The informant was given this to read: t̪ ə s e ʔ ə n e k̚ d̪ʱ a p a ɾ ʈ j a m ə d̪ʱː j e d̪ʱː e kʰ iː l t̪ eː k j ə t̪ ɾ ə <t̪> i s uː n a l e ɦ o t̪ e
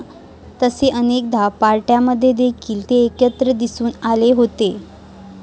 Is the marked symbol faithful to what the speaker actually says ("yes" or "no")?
no